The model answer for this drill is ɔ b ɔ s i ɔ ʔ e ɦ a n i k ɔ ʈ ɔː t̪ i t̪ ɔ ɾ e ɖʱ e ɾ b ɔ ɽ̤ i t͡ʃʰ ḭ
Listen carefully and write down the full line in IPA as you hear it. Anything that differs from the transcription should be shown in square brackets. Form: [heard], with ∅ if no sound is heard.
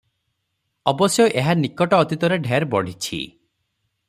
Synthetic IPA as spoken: ɔ b ɔ s [j] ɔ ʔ e ɦ a n i k ɔ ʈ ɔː t̪ i t̪ ɔ ɾ e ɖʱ e ɾ b ɔ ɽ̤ i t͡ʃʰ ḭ